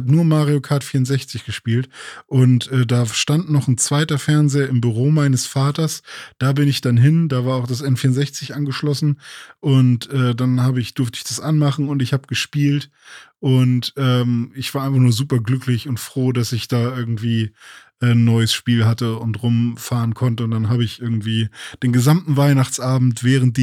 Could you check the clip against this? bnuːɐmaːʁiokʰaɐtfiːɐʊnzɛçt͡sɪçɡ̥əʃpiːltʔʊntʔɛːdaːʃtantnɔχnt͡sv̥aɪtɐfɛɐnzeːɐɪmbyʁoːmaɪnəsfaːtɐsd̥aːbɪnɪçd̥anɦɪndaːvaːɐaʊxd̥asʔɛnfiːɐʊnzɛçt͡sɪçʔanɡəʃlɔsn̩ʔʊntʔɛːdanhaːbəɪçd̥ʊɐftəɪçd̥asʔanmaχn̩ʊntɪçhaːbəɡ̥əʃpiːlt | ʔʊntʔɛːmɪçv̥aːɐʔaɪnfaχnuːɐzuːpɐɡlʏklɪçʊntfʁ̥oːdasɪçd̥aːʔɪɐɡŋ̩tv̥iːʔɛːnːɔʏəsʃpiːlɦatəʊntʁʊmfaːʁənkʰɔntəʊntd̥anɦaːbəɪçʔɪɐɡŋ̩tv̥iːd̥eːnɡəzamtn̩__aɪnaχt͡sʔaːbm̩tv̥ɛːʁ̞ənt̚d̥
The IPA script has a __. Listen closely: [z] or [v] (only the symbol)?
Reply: v